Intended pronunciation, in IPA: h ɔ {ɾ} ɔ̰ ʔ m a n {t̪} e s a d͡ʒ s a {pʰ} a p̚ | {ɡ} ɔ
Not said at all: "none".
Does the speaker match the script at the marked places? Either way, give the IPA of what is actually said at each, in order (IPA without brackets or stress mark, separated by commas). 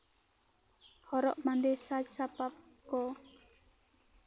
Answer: ɾ, d̪, p, k